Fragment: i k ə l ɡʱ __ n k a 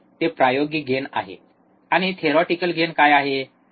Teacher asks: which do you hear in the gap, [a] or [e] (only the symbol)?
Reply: e